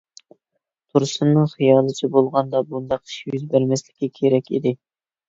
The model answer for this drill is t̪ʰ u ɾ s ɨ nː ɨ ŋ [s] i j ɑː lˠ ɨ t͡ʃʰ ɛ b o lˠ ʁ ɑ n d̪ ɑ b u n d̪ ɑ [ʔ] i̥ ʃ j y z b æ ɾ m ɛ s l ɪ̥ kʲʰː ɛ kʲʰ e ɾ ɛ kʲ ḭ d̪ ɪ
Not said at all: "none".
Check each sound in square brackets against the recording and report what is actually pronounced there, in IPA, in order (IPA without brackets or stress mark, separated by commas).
χ, q